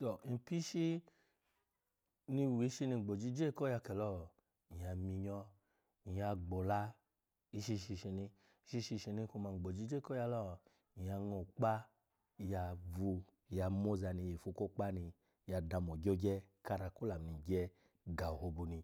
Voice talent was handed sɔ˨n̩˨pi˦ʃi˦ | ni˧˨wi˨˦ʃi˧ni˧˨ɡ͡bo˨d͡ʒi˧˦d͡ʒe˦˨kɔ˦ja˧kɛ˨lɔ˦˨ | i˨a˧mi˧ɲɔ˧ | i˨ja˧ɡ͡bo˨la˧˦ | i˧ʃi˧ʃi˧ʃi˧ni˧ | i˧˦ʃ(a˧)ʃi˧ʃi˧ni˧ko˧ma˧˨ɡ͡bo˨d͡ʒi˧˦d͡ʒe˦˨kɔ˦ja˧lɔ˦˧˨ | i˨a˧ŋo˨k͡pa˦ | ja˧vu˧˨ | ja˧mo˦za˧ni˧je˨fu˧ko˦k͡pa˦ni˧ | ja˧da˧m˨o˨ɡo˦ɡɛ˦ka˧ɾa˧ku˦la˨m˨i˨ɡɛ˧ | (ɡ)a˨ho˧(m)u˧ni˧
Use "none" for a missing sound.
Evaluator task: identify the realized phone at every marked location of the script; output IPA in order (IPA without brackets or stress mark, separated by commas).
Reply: i˧, ɡ, b